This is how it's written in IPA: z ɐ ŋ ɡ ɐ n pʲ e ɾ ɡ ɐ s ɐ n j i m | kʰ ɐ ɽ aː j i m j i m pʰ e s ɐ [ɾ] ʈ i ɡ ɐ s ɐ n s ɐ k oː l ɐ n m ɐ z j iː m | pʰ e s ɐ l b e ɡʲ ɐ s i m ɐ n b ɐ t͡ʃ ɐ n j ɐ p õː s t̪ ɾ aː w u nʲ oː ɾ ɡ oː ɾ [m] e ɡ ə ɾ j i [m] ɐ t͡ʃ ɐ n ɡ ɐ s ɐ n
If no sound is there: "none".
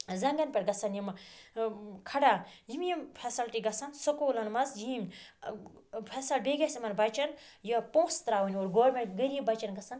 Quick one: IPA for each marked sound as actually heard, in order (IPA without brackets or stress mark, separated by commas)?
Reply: l, m, b